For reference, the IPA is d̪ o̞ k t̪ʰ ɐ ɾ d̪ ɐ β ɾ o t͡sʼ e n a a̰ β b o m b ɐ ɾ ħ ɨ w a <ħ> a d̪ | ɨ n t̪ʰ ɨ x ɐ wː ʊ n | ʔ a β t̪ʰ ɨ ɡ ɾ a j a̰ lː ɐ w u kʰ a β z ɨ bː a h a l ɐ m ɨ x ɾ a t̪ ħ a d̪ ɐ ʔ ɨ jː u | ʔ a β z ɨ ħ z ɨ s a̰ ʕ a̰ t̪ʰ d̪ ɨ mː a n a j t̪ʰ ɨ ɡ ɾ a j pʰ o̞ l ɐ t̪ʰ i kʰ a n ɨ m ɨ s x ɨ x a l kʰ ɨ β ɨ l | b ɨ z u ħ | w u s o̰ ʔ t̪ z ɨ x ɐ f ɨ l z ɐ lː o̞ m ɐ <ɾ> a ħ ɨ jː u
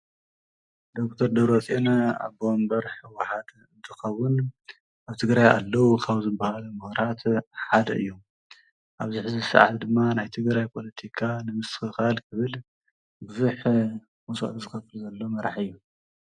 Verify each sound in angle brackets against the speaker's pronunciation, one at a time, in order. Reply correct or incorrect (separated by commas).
correct, correct